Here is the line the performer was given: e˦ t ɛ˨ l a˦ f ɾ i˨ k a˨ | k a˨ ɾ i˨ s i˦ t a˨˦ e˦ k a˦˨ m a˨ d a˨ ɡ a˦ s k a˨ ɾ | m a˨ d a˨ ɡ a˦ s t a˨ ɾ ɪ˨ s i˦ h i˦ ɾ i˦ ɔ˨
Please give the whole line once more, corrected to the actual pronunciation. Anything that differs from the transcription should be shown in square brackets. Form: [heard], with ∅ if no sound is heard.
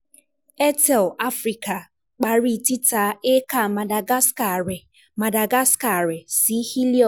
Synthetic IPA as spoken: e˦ t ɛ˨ l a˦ f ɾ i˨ k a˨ | [k͡p] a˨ ɾ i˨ [t] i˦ t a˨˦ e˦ k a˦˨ m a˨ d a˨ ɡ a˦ s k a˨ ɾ | m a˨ d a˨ ɡ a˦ s [k] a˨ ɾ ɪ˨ s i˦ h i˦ [l] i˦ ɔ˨

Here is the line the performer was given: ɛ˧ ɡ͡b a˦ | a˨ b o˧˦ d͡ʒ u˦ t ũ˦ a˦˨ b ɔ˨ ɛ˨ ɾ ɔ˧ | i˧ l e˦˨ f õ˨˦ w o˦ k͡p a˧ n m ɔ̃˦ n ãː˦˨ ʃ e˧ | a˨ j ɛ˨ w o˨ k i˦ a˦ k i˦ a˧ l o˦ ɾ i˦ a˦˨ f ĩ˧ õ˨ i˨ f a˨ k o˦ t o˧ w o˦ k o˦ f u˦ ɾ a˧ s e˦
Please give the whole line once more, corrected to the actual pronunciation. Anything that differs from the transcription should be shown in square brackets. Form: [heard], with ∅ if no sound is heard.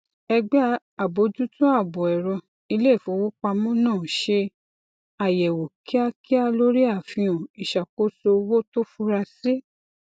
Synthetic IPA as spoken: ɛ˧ ɡ͡b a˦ | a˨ b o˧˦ d͡ʒ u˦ t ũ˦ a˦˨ b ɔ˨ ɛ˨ ɾ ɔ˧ | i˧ l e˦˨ f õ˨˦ w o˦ k͡p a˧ [∅] m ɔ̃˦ n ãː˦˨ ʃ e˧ | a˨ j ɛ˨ w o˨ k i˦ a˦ k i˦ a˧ l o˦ ɾ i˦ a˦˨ f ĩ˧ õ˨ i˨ [ʃ] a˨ k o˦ [s] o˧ w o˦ [t] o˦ f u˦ ɾ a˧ s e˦

